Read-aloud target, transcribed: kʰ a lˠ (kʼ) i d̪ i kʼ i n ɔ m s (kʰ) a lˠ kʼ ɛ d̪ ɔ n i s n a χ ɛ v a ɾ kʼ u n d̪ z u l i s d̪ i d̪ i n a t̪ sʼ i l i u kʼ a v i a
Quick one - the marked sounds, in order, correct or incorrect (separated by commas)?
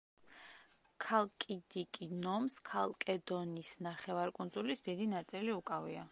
correct, correct